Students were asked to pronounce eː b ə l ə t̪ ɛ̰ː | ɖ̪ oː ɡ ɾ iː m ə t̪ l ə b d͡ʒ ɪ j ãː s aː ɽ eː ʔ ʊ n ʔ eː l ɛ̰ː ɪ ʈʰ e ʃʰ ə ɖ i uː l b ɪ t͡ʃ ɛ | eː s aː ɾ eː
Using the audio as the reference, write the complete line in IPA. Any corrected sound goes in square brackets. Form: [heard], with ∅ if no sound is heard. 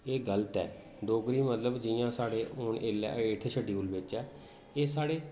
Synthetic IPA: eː [ɡ] ə l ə t̪ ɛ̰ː | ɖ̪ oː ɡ ɾ iː m ə t̪ l ə b d͡ʒ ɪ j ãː s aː ɽ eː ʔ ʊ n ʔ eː l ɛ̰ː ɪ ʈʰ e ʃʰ ə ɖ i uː l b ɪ t͡ʃ [ɛː] | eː s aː [ɽ] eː

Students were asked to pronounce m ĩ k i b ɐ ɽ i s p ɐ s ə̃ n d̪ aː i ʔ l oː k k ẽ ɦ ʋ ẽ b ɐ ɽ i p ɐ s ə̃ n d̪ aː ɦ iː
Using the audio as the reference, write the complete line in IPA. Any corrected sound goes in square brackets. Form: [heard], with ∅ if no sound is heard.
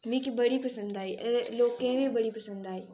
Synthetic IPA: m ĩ k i b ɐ ɽ i [∅] p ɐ s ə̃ n d̪ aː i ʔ l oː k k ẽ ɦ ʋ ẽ b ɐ ɽ i p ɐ s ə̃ n d̪ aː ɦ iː

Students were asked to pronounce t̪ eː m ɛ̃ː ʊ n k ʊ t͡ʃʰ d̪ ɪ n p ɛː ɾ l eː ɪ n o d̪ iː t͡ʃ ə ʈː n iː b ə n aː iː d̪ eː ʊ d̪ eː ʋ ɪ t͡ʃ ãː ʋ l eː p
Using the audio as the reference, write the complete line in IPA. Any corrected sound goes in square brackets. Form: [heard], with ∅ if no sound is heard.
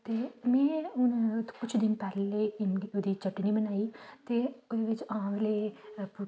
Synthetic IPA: t̪ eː m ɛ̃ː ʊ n k ʊ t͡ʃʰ d̪ ɪ n p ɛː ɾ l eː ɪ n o d̪ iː t͡ʃ ə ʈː n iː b ə n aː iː [t̪] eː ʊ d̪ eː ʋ ɪ t͡ʃ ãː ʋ l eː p

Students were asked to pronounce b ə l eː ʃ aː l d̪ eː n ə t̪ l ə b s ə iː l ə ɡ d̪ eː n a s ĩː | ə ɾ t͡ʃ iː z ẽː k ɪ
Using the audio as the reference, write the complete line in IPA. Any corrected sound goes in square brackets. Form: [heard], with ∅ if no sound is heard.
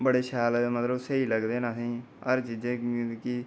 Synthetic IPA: b ə [ɽ] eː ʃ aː l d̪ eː [m] ə t̪ l ə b s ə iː l ə ɡ d̪ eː n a s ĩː | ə ɾ t͡ʃ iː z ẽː k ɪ

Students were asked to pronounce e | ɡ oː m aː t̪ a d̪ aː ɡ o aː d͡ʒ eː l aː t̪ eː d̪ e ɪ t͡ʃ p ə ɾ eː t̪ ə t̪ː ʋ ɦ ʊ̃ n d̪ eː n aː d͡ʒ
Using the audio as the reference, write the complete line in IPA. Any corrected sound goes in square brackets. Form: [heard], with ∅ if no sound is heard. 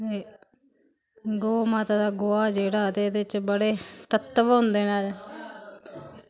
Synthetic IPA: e | ɡ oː m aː t̪ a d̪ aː ɡ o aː d͡ʒ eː [ɽ] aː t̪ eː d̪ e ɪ t͡ʃ [b] ə [ɽ] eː t̪ ə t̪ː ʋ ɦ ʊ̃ n d̪ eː n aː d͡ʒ

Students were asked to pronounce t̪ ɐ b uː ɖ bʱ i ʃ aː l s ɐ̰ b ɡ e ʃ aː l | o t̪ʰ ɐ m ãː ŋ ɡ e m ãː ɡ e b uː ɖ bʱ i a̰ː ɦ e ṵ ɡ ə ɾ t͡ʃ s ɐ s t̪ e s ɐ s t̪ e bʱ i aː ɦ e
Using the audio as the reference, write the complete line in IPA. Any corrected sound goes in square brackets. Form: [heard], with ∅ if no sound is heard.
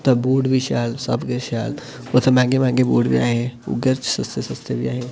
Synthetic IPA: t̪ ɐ b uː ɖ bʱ i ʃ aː l s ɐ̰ b ɡ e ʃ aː l | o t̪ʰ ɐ m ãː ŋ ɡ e m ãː ɡ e b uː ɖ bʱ i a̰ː ɦ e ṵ ɡ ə ɾ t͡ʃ s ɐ s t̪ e s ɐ s t̪ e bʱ i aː ɦ e

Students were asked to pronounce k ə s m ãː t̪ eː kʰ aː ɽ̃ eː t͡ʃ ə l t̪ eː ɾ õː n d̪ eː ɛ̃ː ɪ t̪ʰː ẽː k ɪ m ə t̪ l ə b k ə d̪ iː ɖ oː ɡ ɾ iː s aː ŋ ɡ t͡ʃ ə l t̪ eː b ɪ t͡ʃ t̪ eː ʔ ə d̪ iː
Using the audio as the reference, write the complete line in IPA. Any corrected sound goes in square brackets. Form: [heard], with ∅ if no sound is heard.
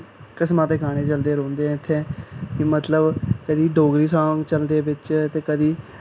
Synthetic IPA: k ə s m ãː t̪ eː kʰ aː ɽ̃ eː t͡ʃ ə l [d̪] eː ɾ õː n d̪ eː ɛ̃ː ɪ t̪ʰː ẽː k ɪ m ə t̪ l ə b k ə d̪ iː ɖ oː ɡ ɾ iː s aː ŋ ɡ t͡ʃ ə l [d̪] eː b ɪ t͡ʃ t̪ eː [k] ə d̪ iː

